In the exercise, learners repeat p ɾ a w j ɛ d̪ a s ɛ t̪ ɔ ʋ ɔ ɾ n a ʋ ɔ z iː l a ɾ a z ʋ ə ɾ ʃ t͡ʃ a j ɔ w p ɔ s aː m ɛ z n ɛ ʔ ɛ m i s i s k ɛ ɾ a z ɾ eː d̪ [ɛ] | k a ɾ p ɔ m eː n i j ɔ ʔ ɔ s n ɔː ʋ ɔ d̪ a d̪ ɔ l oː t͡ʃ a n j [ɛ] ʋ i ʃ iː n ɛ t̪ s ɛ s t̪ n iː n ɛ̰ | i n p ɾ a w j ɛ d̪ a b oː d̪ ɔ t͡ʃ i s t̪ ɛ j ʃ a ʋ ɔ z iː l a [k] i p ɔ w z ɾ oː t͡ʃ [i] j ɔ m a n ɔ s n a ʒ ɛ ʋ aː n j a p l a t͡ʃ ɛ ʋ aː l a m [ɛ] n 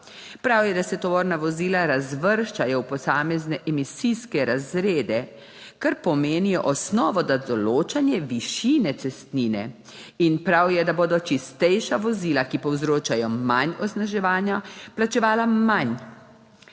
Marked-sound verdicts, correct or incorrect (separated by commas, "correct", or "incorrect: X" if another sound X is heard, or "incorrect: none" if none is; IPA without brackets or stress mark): correct, correct, correct, incorrect: a, incorrect: a